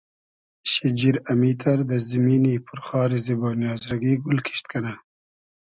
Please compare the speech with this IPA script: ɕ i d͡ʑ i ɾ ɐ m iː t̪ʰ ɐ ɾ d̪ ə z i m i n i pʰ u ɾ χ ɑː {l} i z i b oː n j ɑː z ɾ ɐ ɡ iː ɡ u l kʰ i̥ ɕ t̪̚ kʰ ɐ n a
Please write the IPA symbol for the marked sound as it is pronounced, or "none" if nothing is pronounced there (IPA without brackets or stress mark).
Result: ɾ